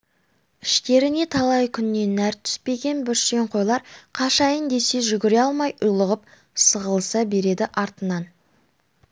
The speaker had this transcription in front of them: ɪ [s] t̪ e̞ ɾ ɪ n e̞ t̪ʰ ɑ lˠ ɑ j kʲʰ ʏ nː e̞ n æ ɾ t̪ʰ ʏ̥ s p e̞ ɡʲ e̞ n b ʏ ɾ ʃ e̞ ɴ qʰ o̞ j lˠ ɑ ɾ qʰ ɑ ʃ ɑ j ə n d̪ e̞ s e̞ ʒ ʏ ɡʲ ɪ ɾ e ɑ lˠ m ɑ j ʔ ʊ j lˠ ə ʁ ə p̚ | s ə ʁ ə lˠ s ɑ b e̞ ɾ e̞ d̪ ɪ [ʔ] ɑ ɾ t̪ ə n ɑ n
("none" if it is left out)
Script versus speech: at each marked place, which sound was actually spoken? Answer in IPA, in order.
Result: ʃ, ʔ

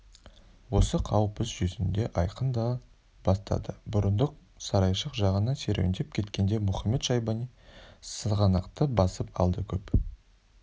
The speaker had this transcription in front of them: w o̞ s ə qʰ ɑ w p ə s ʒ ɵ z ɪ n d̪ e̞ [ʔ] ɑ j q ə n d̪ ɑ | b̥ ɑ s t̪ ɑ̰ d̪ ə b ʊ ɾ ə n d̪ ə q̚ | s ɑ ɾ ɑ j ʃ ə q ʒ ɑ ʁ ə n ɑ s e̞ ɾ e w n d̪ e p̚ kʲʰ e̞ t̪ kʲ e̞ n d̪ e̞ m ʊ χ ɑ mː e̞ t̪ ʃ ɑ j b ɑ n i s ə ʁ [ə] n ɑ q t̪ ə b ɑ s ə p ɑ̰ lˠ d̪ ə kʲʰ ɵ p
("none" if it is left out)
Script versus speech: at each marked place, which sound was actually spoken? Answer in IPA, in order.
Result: ʔ, ɑ

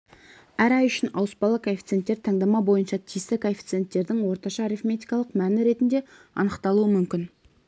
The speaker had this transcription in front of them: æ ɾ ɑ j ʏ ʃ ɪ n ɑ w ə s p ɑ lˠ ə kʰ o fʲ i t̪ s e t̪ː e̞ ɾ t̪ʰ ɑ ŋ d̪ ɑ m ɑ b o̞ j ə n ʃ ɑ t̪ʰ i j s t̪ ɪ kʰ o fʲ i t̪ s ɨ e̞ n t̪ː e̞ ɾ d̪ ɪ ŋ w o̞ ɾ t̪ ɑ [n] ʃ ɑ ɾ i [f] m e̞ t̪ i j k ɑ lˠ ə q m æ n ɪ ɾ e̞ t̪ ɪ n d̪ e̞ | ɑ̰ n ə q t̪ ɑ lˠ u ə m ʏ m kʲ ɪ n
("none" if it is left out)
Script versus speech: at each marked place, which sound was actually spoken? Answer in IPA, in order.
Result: none, f

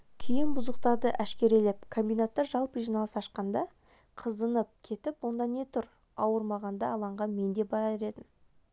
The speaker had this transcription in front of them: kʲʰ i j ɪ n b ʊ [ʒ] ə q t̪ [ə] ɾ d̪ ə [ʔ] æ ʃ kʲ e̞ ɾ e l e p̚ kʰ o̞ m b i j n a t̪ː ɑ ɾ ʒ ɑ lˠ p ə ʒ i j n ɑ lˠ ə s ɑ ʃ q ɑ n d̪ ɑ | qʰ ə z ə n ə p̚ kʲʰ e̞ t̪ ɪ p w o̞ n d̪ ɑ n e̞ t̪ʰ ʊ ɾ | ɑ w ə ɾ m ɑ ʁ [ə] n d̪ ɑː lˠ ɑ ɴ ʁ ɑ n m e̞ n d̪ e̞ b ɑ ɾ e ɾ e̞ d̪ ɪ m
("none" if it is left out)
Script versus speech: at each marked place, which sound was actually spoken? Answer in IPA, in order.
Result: z, ɑ, ʔ, ɑ

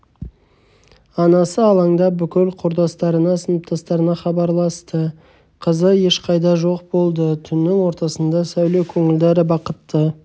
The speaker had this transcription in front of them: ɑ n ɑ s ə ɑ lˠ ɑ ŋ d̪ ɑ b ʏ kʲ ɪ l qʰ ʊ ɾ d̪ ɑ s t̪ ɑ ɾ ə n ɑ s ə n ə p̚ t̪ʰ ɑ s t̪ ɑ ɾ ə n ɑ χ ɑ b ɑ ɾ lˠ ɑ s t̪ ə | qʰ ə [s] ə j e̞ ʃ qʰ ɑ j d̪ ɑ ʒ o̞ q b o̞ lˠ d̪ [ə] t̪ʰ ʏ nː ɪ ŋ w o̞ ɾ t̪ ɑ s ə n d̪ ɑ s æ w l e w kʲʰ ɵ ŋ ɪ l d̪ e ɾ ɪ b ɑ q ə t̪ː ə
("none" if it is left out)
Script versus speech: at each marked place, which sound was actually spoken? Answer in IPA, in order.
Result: z, ə

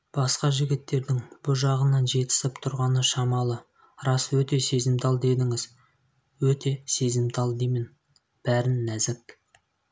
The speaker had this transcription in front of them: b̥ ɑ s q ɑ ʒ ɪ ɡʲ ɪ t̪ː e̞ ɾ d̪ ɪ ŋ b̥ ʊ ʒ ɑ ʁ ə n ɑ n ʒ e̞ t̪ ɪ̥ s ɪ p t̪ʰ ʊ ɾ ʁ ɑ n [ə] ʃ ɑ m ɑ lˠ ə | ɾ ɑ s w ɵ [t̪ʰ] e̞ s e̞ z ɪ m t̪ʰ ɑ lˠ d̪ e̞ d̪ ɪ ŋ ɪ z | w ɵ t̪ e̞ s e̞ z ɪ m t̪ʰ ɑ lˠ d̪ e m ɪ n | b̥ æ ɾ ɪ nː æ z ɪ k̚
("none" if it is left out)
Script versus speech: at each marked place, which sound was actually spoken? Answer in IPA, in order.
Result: ə, t̪

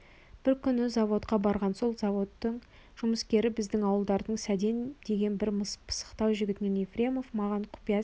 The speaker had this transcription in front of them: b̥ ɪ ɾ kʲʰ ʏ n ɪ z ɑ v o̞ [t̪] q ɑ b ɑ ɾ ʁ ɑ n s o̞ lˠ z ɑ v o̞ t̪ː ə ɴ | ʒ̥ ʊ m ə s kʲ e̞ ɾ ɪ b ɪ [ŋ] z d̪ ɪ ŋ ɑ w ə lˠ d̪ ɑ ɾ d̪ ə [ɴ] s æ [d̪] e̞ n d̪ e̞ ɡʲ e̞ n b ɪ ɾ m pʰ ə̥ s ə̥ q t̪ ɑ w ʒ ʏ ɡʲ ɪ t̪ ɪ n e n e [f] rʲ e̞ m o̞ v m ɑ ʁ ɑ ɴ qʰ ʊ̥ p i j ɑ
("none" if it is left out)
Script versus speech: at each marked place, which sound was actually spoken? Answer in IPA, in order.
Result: t̪, none, ɴ, d̪, f

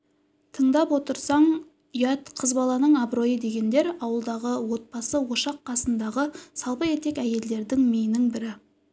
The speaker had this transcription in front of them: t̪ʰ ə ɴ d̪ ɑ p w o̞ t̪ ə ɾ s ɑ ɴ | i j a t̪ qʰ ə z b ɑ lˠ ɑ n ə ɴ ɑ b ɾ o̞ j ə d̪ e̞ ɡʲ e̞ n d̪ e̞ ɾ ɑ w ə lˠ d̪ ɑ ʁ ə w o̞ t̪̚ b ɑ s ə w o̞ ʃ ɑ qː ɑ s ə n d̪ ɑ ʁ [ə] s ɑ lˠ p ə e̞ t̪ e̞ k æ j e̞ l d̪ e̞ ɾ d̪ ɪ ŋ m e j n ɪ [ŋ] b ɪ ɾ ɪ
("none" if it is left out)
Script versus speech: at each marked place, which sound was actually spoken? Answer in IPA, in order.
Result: ə, ŋ

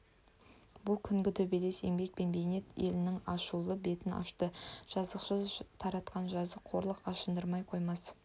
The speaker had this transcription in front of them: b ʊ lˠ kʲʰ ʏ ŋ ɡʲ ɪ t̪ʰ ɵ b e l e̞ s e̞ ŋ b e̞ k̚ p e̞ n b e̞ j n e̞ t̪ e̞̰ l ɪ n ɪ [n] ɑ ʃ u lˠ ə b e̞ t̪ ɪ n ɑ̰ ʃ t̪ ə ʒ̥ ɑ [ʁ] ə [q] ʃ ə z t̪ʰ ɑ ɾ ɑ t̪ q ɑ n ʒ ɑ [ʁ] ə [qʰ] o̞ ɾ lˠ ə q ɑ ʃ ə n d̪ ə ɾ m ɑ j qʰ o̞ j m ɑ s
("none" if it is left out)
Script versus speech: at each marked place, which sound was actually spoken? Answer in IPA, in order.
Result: ŋ, z, q, z, qʰ

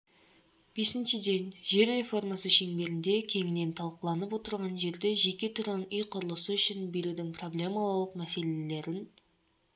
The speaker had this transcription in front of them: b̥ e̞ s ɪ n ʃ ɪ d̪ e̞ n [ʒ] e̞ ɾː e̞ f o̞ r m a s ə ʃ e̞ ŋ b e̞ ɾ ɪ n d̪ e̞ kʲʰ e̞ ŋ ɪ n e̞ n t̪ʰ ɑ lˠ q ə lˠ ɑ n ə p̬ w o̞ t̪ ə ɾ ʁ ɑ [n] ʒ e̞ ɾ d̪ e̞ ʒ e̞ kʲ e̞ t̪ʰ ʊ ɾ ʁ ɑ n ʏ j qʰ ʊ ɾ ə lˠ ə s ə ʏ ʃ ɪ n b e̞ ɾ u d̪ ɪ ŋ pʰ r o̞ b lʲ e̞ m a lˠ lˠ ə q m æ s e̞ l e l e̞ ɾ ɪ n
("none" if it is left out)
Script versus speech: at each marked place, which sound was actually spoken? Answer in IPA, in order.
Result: ʒ, n

